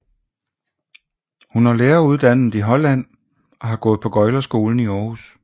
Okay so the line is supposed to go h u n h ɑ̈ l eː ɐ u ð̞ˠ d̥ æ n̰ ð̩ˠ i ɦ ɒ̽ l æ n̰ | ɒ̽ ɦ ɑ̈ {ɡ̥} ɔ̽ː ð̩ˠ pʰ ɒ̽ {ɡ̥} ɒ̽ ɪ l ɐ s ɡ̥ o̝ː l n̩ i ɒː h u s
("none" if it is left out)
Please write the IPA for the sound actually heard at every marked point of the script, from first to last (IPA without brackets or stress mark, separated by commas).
ɡ̥, ɡ̥